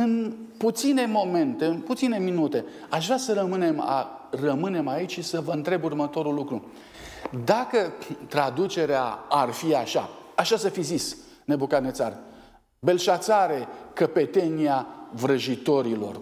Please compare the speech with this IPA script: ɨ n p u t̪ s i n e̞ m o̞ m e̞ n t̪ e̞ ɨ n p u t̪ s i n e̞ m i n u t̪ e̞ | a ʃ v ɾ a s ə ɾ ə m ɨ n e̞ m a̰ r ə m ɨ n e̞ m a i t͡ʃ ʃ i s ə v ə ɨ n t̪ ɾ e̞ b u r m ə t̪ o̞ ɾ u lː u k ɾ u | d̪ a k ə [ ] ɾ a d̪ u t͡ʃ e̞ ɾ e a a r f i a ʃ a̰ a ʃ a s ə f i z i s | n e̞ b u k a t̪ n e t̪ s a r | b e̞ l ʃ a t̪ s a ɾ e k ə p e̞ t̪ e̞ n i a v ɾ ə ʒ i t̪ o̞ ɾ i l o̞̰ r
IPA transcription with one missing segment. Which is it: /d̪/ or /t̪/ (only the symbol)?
t̪